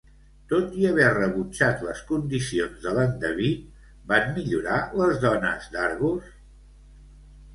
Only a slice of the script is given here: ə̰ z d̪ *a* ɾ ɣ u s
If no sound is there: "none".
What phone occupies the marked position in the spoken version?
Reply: a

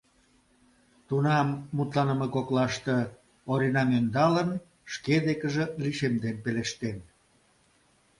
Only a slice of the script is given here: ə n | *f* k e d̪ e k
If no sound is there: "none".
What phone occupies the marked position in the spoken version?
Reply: ʃ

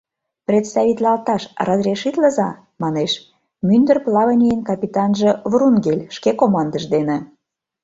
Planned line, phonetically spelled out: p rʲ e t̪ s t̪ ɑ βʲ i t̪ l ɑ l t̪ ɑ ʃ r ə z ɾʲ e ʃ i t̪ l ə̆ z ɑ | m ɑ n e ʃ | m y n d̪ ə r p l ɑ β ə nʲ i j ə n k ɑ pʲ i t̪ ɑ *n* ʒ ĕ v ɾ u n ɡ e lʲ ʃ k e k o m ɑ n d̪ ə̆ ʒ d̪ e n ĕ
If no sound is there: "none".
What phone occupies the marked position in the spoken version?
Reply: n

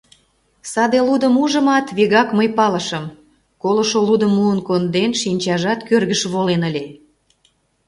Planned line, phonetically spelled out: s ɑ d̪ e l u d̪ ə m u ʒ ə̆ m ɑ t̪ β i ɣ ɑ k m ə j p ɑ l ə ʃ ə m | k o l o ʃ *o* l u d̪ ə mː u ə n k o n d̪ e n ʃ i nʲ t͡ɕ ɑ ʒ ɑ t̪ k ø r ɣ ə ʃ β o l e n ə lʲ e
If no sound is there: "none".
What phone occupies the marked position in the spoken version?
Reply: o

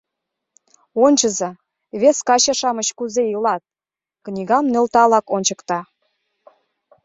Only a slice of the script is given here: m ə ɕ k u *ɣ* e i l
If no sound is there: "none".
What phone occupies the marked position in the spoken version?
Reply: z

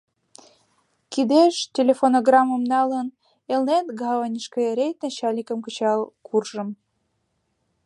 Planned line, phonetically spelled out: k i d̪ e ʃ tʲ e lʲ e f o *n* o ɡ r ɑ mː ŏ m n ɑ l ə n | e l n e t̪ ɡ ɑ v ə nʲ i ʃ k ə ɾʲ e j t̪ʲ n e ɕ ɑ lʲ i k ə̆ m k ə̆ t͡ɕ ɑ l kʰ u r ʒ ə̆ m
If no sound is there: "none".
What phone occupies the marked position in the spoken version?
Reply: n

